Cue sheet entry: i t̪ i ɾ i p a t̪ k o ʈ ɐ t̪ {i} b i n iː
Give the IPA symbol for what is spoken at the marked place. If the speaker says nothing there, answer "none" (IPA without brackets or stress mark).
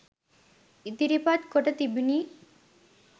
i